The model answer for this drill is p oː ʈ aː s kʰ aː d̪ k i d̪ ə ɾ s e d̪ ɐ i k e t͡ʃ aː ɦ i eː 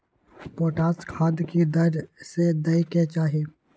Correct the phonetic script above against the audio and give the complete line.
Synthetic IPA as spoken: p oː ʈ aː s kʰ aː d̪ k i d̪ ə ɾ s e d̪ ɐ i k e t͡ʃ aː ɦ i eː